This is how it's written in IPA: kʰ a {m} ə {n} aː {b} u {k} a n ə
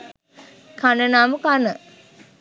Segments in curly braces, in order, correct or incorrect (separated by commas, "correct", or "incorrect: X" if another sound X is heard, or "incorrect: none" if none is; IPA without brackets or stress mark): incorrect: n, correct, incorrect: m, correct